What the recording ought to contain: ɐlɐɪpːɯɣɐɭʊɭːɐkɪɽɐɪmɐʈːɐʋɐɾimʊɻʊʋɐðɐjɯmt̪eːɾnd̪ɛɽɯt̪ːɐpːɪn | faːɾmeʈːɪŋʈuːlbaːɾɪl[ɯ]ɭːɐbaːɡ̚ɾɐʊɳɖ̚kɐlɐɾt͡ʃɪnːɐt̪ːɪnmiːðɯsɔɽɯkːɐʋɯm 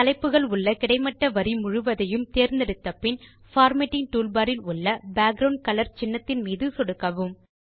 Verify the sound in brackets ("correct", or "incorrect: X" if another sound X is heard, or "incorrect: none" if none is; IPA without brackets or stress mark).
incorrect: ʊ